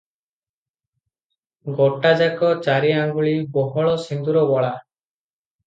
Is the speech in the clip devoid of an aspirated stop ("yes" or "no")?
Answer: yes